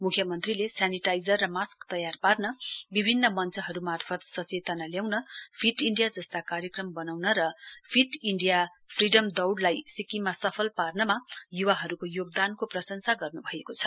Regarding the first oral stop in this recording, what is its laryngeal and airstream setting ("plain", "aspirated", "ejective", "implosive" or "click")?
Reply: aspirated